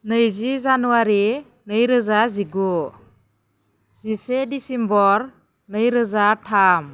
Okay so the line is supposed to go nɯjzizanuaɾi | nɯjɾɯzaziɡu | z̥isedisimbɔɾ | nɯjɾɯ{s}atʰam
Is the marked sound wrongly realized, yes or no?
yes